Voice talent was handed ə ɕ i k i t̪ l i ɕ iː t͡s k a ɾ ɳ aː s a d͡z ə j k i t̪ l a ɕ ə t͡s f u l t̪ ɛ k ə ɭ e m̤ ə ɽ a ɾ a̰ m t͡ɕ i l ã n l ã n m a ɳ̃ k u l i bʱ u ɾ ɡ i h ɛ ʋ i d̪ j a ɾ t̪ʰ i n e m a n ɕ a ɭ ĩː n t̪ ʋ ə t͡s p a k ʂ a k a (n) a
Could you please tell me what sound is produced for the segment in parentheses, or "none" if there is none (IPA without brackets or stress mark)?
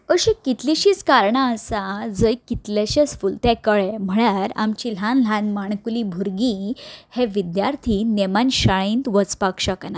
n